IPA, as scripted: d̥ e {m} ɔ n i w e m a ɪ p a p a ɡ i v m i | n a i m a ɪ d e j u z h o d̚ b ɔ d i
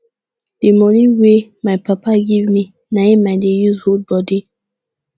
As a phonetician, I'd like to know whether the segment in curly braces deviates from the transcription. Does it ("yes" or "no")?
no